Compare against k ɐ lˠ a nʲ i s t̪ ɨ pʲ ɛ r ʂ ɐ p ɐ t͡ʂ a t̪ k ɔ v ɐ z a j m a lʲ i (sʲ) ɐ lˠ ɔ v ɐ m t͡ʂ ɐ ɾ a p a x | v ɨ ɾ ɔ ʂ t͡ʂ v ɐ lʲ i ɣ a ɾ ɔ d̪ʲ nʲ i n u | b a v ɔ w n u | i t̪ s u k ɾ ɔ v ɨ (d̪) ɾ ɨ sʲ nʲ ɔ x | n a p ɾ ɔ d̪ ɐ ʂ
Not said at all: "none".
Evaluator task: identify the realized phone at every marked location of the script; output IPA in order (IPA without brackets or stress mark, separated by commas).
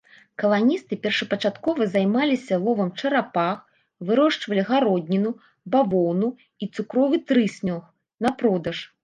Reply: sʲ, t̪